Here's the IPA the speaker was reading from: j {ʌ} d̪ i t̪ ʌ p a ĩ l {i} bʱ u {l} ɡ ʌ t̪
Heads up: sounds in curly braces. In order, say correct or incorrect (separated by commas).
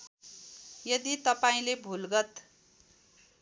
correct, incorrect, correct